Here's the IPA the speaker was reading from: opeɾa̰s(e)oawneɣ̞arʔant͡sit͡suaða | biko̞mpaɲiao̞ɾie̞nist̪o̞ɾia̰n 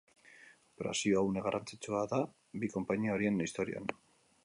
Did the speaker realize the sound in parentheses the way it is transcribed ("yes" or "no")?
no